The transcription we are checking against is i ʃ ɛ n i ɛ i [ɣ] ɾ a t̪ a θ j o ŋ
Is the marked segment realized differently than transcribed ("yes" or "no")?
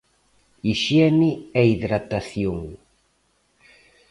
yes